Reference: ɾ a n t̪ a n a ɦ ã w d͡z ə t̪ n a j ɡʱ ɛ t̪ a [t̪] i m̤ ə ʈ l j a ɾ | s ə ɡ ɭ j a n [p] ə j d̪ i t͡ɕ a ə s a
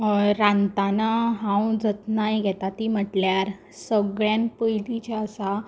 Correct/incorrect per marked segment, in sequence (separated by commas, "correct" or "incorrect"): correct, correct